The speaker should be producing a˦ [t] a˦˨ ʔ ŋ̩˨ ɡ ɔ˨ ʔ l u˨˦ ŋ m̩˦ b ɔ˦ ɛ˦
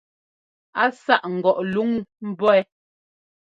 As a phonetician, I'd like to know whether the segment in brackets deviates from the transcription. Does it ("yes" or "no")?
yes